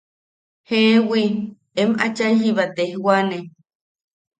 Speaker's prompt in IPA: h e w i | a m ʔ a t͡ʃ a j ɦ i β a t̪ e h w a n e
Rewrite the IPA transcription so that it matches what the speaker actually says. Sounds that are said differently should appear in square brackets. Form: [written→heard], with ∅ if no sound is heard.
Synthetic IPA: h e w i | [a→e] m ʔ a t͡ʃ a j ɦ i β a t̪ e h w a n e

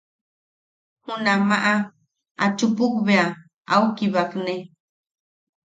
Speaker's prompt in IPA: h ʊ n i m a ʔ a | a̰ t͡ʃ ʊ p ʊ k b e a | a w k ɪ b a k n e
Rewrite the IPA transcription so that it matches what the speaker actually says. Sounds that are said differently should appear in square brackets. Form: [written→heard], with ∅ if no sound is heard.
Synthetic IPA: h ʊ n [i→a] m a ʔ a | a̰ t͡ʃ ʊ p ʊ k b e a | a w k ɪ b a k n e

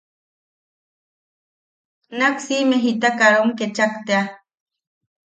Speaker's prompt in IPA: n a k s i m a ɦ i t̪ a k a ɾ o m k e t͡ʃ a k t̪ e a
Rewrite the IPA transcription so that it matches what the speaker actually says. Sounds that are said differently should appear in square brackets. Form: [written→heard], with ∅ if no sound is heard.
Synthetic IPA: n a k s i m [a→e] ɦ i t̪ a k a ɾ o m k e t͡ʃ a k t̪ e a

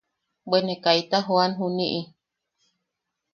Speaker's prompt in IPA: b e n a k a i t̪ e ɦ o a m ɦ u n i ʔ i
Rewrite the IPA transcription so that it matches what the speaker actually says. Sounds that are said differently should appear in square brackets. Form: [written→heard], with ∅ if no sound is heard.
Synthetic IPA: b e n [a→e] k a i t̪ [e→a] ɦ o a [m→n] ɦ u n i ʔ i

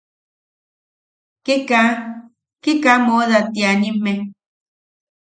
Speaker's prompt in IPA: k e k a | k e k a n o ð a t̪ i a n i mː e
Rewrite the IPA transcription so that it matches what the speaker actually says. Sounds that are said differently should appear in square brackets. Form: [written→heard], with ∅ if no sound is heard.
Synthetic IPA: k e k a | k e k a [n→m] o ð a t̪ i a n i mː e

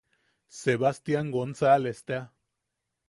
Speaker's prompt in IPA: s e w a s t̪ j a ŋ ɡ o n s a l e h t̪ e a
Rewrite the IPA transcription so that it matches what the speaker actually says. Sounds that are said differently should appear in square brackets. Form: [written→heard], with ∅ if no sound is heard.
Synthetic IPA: s e [w→β] a s t̪ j a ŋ ɡ o n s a l e [h→s] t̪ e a

